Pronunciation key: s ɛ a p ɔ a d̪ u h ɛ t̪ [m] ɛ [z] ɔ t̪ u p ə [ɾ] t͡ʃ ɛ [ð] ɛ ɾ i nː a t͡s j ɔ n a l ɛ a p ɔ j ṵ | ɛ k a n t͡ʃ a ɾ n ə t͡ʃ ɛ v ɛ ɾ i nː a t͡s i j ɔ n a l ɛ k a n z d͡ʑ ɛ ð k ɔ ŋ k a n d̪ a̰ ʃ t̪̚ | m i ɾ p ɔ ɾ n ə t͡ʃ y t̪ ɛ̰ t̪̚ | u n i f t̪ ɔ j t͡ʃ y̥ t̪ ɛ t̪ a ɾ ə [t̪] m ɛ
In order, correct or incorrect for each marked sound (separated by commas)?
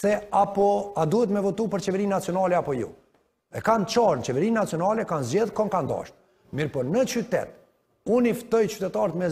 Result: correct, incorrect, correct, incorrect, correct